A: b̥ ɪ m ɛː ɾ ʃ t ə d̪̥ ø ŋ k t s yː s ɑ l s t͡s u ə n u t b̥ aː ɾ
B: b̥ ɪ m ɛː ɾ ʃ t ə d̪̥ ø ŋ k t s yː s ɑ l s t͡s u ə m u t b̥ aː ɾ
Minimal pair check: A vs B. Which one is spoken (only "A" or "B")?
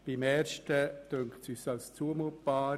B